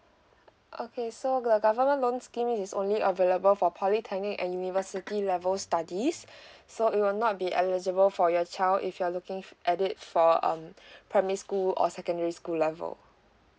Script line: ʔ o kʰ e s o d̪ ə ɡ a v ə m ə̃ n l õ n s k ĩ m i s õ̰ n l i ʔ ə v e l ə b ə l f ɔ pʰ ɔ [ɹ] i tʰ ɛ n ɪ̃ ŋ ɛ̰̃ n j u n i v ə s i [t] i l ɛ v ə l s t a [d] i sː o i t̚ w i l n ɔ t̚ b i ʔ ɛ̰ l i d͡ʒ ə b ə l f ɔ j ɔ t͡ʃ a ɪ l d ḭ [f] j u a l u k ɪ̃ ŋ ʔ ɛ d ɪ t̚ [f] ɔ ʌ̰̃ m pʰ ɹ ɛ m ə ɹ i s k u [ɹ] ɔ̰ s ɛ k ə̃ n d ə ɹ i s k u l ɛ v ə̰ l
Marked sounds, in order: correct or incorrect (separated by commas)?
incorrect, correct, correct, correct, correct, incorrect